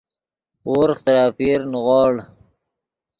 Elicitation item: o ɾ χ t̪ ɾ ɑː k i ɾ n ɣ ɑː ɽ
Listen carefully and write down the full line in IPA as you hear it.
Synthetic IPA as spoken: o ɾ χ t̪ ɾ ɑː p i ɾ n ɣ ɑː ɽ